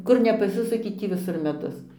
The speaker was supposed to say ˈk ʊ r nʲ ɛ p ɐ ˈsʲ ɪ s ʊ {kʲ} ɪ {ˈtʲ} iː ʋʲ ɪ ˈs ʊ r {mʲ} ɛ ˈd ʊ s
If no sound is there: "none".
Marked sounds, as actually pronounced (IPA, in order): kʲ, tʲ, mʲ

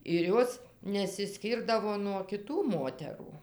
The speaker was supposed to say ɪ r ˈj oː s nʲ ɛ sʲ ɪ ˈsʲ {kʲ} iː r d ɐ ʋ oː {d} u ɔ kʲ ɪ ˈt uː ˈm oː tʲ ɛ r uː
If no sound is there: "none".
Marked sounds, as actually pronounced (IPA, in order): kʲ, n

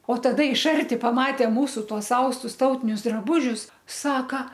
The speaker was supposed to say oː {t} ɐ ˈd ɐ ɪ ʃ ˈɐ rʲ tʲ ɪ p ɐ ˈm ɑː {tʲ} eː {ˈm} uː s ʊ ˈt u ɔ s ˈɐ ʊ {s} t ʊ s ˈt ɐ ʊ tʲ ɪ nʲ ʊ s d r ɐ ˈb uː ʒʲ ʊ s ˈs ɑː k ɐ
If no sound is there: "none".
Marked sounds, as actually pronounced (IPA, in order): t, tʲ, m, s

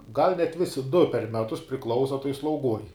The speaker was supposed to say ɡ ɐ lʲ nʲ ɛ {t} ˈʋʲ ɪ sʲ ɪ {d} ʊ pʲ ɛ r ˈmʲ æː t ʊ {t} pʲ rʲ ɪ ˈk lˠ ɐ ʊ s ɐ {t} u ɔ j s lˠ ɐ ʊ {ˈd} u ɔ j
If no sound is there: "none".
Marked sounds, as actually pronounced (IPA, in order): t, d, s, t, ɡ

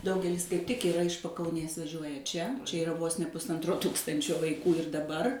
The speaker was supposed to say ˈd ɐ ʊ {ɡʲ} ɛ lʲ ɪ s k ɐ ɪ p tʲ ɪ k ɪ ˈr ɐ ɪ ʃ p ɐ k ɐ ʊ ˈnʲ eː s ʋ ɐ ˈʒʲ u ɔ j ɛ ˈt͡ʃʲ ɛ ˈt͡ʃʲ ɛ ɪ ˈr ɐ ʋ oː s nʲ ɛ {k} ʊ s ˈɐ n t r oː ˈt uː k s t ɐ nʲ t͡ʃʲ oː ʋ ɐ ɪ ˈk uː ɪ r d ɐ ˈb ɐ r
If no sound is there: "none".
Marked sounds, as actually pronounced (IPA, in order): ɡʲ, p

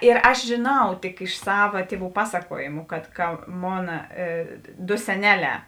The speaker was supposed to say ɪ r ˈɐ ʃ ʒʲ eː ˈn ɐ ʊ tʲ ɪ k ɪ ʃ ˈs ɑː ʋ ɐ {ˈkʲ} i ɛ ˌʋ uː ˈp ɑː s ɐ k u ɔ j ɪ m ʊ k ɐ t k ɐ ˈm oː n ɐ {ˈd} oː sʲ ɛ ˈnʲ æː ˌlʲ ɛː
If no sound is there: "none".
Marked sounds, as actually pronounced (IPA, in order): tʲ, d

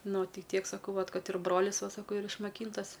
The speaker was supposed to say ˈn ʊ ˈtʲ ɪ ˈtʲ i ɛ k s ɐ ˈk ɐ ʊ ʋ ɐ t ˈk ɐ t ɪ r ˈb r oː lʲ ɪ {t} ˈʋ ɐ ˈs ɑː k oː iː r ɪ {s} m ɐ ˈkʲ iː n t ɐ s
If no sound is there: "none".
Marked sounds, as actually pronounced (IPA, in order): s, ʃ

